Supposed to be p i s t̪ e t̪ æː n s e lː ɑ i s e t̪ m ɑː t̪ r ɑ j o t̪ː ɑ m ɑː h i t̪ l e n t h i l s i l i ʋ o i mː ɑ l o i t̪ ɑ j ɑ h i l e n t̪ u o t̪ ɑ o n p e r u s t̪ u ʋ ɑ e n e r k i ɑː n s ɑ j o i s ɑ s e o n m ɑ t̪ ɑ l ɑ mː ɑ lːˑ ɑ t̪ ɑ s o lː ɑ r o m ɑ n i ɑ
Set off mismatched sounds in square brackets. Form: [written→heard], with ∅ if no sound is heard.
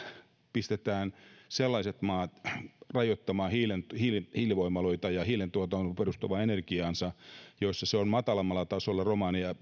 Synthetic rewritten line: p i s t̪ e t̪ æː n s e lː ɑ i s e t̪ m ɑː t̪ r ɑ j o t̪ː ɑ m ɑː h i [t̪→∅] l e n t h i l [s→h] i l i ʋ o i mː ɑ l o i t̪ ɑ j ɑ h i l e n t̪ u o t̪ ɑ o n p e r u s t̪ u ʋ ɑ e n e r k i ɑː n s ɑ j o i [s→sː] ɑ s e o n m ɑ t̪ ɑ l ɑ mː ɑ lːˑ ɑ t̪ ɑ s o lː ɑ r o m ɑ n i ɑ